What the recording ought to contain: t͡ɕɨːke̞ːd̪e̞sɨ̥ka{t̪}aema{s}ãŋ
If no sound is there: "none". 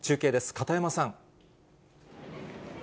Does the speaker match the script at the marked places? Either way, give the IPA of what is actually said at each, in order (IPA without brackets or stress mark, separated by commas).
t̪, s